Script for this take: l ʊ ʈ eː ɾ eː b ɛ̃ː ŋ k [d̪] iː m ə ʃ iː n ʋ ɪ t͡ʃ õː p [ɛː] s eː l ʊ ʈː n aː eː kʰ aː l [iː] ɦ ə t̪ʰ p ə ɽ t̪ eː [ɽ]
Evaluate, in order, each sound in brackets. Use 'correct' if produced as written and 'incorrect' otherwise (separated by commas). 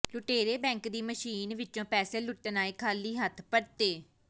correct, correct, correct, incorrect